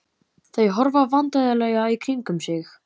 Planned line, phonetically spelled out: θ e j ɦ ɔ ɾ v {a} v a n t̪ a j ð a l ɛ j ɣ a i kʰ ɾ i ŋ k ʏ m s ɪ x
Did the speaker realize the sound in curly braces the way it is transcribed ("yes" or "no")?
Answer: yes